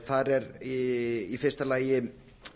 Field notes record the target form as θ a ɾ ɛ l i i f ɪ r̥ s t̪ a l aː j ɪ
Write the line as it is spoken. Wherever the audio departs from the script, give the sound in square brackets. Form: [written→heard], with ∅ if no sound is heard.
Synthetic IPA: θ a ɾ ɛ [l→ɾ] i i f ɪ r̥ s t̪ a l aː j ɪ